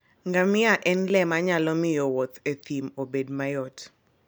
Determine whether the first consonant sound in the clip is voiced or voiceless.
voiced